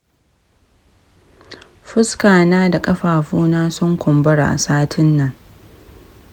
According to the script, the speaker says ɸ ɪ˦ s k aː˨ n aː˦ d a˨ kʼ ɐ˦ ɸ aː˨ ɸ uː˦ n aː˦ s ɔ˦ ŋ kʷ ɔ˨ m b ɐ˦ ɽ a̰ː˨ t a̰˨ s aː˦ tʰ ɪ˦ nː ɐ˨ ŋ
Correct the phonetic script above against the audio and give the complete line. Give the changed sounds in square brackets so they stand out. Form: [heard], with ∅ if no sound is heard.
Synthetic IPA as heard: ɸ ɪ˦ s k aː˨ n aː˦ d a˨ kʼ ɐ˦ ɸ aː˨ ɸ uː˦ n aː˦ s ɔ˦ ŋ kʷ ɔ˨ m b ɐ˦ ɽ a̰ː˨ [ʔ] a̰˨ s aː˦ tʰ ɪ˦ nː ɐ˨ ŋ